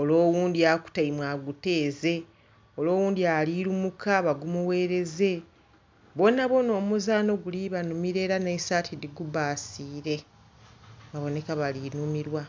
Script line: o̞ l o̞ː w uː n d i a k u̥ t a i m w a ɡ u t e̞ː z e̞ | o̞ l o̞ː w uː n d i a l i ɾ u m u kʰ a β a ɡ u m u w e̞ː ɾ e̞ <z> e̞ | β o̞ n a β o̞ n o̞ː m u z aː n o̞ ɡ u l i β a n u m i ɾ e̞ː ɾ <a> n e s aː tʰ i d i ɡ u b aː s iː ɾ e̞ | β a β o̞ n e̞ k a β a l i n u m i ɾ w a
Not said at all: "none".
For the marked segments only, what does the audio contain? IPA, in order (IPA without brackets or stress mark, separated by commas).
z, a